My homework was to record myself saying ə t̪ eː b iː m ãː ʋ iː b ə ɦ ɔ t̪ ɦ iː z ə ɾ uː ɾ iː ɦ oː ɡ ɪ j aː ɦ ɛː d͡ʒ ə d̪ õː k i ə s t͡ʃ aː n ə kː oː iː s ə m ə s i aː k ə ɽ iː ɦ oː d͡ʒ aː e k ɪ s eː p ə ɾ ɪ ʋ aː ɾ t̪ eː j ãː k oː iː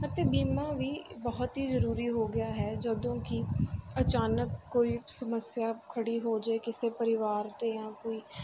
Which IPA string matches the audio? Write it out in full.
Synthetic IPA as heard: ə t̪ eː b iː m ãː ʋ iː b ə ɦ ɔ t̪ ɦ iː z ə ɾ uː ɾ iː ɦ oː ɡ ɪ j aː ɦ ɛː d͡ʒ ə d̪ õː k i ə t͡ʃ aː n ə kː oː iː s ə m ə s j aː kʰ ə ɽ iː ɦ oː d͡ʒ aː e k ɪ s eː p ə ɾ ɪ ʋ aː ɾ t̪ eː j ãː k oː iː